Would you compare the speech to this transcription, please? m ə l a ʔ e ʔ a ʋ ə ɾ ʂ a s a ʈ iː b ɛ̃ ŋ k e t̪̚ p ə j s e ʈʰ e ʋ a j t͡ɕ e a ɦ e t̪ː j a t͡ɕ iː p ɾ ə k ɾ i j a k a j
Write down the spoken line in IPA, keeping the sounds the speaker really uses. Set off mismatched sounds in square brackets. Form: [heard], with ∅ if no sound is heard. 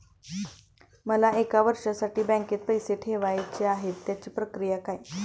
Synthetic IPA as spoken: m ə l a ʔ e [k] a ʋ ə ɾ ʂ a s a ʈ iː b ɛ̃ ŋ k e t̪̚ p ə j s e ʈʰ e ʋ a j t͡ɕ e a ɦ e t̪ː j a t͡ɕ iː p ɾ ə k ɾ i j a k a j